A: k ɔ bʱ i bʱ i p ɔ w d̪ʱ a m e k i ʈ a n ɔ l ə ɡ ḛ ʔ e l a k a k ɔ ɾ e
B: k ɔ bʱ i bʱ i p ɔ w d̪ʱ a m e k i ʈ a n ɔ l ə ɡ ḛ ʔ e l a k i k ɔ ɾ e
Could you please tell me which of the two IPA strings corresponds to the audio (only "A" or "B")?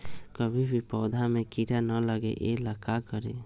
A